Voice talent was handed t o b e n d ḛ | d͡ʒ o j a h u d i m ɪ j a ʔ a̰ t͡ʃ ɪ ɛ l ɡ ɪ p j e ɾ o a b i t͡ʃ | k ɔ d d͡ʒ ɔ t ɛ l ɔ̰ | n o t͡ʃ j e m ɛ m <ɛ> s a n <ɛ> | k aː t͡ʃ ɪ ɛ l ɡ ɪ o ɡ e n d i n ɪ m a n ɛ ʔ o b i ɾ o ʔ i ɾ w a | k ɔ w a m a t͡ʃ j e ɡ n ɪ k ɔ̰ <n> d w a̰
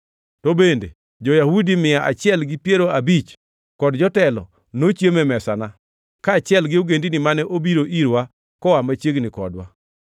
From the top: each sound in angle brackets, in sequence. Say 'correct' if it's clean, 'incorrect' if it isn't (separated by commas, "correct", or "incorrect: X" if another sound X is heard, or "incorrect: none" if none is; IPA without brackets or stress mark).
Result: correct, incorrect: a, incorrect: none